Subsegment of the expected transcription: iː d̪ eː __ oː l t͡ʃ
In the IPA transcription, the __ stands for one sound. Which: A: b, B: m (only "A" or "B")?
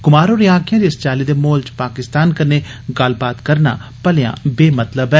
B